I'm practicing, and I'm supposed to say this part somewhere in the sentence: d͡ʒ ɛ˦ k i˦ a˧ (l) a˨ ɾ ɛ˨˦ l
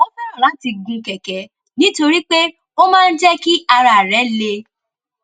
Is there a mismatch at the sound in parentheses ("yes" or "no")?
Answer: yes